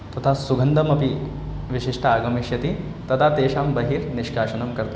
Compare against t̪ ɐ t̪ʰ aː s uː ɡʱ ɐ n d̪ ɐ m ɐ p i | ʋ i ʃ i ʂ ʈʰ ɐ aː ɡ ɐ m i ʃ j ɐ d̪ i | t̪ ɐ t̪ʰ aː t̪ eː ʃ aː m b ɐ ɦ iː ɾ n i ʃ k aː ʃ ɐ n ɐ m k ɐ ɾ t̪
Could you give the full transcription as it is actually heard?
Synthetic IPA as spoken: t̪ ɐ t̪ʰ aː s u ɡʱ ɐ n d̪ ɐ m ɐ p i | ʋ i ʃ i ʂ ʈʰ ɐ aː ɡ ɐ m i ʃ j ɐ t̪ i | t̪ ɐ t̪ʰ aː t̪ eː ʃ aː m b ɐ ɦ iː ɾ n i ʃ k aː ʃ ɐ n ɐ m k ɐ ɾ t̪